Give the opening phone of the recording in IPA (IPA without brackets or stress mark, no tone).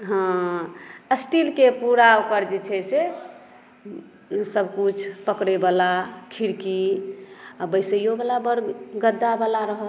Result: ɦ